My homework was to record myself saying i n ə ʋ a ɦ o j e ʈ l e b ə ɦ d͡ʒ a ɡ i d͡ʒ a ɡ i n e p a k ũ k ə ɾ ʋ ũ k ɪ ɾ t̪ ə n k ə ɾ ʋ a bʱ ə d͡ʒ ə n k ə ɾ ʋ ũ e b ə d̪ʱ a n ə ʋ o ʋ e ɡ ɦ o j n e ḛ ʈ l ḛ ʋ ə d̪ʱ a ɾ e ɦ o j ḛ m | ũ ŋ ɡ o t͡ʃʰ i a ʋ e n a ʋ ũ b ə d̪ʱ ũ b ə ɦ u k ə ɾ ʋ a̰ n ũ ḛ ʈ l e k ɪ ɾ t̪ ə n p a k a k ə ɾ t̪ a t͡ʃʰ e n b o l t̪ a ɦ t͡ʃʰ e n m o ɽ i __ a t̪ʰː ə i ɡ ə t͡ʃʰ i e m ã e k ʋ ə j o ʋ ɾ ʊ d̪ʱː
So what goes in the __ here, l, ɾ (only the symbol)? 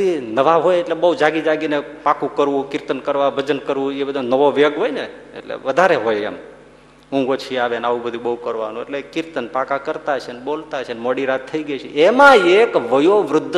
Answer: ɾ